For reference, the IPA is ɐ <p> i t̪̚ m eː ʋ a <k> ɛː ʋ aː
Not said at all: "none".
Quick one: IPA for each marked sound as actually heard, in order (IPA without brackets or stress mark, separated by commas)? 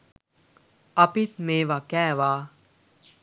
p, k